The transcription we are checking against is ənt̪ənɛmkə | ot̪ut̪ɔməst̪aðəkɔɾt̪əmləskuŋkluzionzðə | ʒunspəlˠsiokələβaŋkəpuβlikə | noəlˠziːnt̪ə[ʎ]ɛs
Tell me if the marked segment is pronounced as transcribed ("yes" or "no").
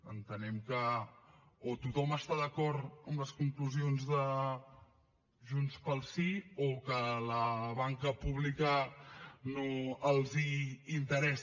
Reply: no